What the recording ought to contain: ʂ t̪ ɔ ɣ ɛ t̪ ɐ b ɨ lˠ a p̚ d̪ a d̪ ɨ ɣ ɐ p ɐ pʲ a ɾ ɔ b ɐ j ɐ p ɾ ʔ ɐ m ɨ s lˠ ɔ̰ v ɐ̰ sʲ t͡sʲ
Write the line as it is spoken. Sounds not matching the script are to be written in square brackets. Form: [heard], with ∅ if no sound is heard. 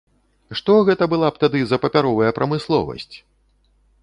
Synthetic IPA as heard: ʂ t̪ ɔ ɣ ɛ t̪ ɐ b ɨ lˠ a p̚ [t̪] a d̪ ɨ [z] ɐ p ɐ pʲ a ɾ ɔ [v] ɐ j ɐ p ɾ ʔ ɐ m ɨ s lˠ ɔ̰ v ɐ̰ sʲ t͡sʲ